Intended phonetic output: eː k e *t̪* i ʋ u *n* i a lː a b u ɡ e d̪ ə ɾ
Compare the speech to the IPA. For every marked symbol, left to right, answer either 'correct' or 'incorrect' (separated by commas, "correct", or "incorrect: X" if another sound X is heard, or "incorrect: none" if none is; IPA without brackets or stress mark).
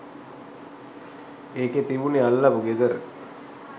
correct, correct